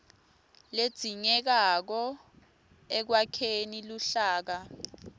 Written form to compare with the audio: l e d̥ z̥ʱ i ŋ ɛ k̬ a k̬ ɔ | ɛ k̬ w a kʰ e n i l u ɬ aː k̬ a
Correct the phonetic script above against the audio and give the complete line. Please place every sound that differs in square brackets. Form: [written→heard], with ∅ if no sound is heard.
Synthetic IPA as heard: l e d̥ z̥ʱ i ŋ ɛ k̬ a k̬ ɔ | ɛ k̬ w a kʰ e n i l u ɬ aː k̬ a